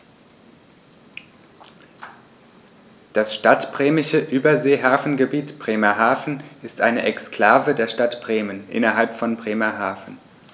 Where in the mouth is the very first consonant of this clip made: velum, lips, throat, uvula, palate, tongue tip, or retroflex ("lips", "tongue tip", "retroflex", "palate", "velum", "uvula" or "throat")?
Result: tongue tip